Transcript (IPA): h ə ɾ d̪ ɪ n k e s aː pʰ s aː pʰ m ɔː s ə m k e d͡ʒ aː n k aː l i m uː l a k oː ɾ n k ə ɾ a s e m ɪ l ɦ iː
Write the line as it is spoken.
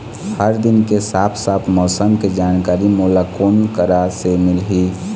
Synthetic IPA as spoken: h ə ɾ d̪ ɪ n k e s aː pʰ s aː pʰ m ɔː s ə m k e d͡ʒ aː n k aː ɾ i m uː l a k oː n k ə ɾ a s e m ɪ l ɦ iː